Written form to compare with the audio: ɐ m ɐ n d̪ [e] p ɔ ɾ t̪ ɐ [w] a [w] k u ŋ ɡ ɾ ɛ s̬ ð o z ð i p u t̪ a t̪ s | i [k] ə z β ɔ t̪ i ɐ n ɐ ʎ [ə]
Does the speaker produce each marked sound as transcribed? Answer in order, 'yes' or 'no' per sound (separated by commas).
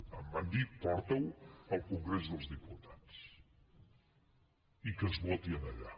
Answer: no, yes, yes, yes, no